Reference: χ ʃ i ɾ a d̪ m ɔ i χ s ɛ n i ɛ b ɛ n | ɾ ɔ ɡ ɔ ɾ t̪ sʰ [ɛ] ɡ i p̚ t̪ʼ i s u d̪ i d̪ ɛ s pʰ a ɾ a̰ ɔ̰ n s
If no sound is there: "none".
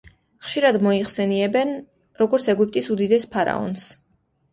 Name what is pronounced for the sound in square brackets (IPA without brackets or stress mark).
ɛ